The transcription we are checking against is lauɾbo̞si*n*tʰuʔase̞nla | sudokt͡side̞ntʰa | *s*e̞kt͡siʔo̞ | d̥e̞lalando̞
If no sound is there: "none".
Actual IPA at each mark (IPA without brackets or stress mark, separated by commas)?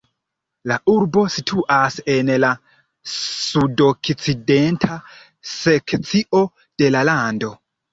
none, s